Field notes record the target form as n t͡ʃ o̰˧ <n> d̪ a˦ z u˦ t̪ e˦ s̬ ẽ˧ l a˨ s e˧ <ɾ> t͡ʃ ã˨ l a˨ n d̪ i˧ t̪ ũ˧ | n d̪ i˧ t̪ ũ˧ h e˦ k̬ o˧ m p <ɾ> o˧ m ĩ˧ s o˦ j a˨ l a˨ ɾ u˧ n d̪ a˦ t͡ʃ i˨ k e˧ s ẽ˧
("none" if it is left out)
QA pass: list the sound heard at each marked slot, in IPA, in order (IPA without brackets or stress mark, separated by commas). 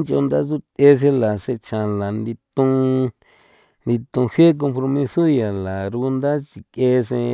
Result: n, none, ɾ